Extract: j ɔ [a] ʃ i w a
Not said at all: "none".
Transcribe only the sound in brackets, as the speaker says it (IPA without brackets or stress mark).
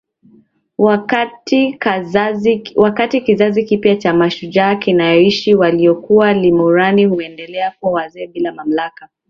i